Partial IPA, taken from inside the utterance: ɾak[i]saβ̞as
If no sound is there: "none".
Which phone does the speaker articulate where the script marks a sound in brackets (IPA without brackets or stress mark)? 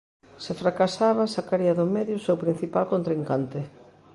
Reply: a